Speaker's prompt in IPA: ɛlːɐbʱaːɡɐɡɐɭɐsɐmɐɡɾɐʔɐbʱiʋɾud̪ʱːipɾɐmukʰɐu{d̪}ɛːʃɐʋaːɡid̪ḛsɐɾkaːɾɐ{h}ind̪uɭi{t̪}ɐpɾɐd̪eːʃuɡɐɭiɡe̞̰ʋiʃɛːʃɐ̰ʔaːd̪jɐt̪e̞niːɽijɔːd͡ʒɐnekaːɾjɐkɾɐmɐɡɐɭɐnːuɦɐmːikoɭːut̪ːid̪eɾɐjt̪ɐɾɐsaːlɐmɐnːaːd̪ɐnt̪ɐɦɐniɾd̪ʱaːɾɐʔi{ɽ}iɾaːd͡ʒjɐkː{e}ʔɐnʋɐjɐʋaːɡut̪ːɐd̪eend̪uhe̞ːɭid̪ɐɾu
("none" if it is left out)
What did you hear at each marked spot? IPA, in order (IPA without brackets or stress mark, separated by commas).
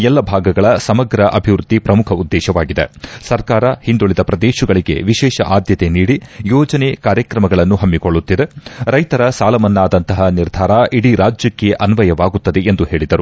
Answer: d̪ː, h, d̪, ɽ, e